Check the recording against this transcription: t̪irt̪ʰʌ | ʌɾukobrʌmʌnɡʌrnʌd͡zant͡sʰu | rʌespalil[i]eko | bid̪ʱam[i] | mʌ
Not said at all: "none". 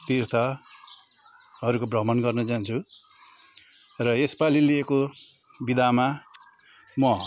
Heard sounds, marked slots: i, a

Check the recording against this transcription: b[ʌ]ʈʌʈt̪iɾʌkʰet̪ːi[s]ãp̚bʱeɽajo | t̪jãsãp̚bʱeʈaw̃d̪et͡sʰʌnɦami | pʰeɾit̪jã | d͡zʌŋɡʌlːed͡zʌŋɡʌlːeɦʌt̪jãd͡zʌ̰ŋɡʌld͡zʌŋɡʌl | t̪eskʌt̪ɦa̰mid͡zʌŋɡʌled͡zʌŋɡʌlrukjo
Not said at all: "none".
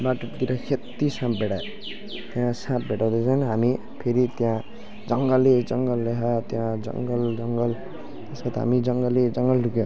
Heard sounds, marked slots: a, s

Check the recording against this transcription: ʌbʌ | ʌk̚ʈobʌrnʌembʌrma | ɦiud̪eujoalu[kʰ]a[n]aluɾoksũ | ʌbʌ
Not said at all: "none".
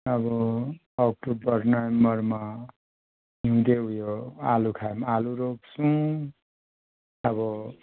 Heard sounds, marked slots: kʰ, m

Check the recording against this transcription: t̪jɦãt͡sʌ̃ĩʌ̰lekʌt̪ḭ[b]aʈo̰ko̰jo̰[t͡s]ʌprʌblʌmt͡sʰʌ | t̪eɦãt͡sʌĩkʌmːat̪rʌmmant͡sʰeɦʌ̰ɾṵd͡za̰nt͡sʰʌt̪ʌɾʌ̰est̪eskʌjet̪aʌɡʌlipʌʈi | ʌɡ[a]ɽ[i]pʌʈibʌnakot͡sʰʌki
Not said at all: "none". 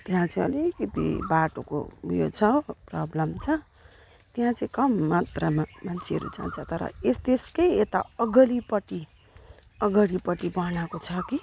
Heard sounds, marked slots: b, t͡sʰ, ʌ, i

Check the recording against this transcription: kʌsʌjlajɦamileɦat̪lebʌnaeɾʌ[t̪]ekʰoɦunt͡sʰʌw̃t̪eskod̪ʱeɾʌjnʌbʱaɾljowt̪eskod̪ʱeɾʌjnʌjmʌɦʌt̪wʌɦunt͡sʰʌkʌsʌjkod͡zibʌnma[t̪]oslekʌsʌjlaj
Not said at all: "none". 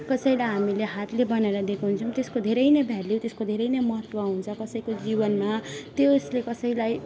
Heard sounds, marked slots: d̪, t̪

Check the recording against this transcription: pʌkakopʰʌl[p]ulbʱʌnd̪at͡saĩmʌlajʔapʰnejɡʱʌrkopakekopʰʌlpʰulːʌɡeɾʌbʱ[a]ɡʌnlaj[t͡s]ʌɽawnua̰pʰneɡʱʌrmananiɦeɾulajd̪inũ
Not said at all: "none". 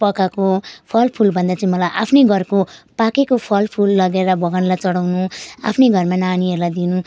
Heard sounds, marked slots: pʰ, ʌ, t͡s

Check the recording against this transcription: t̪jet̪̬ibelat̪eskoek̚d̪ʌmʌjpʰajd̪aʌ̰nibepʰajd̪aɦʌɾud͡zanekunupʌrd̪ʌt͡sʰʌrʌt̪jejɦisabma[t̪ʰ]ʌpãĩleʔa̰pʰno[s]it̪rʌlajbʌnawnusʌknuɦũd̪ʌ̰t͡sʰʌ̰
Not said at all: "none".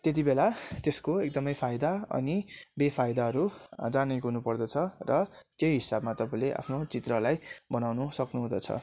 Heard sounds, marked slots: t̪, t͡s

